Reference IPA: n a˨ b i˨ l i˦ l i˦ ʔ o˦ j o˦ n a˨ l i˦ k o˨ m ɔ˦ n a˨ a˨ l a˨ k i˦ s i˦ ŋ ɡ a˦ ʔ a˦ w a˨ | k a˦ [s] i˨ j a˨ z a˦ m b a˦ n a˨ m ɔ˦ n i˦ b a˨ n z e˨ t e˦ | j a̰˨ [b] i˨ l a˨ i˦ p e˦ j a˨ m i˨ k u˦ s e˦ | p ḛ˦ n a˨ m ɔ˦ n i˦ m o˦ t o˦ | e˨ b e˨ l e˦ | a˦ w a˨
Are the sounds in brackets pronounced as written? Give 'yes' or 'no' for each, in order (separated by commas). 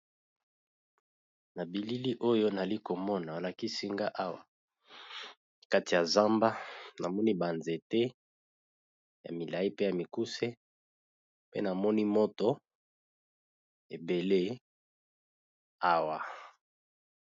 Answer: no, no